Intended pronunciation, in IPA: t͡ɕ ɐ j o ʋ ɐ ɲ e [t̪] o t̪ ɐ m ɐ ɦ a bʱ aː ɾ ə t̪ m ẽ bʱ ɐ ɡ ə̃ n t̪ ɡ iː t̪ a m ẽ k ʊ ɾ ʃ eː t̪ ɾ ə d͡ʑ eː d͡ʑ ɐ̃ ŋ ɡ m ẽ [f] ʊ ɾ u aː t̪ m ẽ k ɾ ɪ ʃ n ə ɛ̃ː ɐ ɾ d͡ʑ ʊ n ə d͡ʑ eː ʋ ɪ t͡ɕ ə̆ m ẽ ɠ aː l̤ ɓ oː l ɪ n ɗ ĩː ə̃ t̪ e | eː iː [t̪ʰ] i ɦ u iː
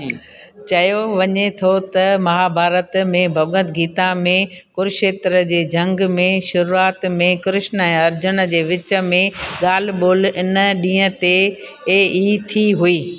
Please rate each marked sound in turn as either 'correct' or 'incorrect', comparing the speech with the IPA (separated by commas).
incorrect, incorrect, correct